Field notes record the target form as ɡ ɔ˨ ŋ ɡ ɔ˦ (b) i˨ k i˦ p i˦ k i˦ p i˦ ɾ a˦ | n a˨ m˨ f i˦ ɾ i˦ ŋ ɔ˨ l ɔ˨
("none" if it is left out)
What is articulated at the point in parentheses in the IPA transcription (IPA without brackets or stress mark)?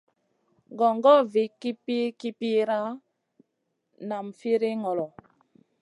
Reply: v